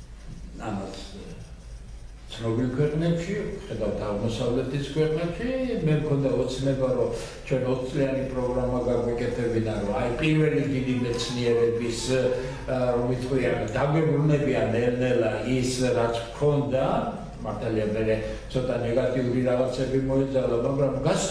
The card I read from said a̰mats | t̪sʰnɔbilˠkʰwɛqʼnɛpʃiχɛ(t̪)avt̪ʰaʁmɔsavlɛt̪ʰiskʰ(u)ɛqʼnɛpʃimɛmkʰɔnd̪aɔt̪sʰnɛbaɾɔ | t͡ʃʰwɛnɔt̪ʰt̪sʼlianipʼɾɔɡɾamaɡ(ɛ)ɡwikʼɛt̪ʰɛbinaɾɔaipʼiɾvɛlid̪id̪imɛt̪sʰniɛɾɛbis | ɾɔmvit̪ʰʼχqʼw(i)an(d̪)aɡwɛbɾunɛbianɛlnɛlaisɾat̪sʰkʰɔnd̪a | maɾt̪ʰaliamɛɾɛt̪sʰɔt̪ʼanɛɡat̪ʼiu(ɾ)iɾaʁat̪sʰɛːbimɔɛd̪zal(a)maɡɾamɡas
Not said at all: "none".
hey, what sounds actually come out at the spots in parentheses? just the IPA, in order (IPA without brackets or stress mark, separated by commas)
d̪, w, a, i, d̪, ɾ, a